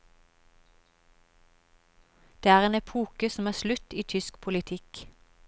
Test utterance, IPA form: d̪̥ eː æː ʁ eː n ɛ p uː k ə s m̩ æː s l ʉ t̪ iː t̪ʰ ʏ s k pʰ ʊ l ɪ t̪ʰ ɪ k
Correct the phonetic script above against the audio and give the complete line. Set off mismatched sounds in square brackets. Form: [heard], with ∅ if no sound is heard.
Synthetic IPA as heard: d̪̥ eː æː ʁ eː n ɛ [pʰ] uː k ə s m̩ æː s l ʉ t̪ iː t̪ʰ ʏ s k pʰ ʊ l ɪ t̪ʰ ɪ k